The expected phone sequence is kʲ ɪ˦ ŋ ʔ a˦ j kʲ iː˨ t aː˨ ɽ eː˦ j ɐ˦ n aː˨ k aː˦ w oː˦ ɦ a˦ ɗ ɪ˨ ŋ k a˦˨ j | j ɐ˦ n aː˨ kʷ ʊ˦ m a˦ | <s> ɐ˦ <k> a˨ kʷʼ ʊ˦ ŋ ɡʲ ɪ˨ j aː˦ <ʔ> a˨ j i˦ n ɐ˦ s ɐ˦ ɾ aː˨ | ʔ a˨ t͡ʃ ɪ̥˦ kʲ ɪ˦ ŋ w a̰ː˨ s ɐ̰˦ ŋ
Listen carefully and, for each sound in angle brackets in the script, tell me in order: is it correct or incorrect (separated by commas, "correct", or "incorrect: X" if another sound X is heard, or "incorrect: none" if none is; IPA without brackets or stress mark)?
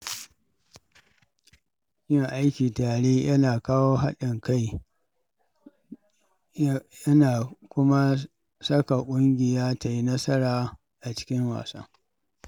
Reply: correct, correct, incorrect: t